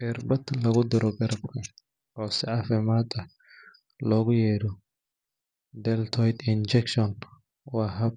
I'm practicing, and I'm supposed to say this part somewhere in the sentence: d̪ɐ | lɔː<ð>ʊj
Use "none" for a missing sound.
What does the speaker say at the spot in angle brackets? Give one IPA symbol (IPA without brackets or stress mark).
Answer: ɣ